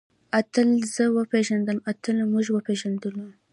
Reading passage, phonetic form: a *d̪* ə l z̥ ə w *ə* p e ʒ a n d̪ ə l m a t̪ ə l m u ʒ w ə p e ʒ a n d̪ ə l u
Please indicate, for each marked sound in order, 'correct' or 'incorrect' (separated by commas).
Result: incorrect, correct